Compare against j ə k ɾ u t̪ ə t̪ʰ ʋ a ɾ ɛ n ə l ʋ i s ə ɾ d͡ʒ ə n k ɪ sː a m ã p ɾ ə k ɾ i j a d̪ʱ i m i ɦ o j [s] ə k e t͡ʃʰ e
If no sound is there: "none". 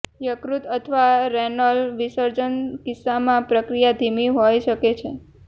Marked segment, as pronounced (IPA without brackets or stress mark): ʃ